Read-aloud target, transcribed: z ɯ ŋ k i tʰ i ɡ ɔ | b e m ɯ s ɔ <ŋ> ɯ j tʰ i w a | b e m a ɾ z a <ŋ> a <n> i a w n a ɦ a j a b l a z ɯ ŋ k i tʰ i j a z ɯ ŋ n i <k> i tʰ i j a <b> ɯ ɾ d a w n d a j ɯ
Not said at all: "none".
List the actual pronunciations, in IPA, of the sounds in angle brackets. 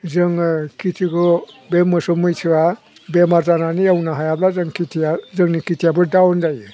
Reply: m, n, n, k, b

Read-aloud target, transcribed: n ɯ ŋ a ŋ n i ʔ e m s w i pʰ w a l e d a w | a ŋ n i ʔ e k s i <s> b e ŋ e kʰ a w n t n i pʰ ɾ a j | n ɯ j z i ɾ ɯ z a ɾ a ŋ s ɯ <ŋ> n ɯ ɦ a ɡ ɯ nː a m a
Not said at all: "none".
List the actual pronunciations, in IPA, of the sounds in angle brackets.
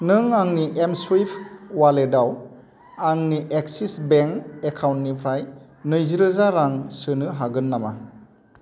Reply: s, none

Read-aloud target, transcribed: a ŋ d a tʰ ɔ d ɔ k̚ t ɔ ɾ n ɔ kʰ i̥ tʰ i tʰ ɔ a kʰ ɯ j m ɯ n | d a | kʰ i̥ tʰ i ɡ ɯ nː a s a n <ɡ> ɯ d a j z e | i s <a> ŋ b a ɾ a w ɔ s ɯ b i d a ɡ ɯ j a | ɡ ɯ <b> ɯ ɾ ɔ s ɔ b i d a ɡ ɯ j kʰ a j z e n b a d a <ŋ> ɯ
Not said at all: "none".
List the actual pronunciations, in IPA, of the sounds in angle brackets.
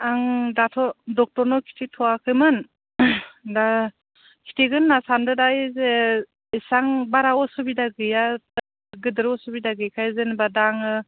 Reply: d, a, d, ŋ

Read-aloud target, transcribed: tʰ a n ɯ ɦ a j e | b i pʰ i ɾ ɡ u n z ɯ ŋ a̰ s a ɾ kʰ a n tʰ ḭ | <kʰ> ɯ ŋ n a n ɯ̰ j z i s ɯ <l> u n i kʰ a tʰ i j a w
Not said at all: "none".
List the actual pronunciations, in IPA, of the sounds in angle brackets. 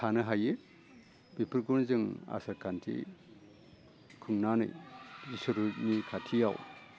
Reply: kʰ, ɾ

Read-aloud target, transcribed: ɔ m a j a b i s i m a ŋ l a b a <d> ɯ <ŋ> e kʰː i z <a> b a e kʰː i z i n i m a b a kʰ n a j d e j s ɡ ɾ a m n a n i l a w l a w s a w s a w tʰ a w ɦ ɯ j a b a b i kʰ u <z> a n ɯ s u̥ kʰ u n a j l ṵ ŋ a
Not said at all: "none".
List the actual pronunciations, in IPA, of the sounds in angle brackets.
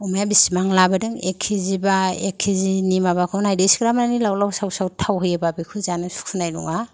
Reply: d, ŋ, i, z

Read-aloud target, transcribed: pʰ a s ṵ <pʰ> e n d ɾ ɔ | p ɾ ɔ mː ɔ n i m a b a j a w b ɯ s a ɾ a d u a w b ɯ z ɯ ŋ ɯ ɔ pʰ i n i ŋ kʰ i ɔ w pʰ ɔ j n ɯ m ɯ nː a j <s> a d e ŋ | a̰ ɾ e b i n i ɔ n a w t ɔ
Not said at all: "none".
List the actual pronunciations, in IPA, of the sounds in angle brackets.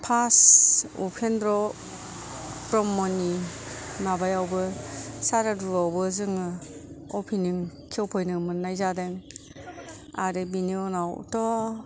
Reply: pʰ, z

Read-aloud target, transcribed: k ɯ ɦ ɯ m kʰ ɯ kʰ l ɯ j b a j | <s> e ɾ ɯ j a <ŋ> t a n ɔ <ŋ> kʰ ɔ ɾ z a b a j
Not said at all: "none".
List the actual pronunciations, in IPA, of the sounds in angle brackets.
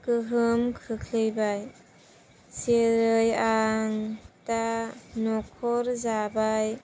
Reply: s, ŋ, none

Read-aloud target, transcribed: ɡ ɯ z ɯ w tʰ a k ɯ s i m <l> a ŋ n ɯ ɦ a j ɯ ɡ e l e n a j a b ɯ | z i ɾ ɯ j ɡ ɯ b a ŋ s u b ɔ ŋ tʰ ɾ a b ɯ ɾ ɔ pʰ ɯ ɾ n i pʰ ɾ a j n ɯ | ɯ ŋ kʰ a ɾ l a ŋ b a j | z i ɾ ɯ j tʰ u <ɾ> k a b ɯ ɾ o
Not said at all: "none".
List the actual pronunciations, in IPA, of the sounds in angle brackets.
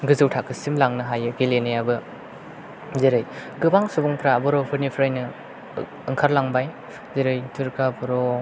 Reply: l, ɾ

